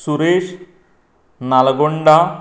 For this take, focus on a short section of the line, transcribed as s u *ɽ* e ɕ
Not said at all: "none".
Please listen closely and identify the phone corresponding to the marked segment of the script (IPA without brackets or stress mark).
ɾ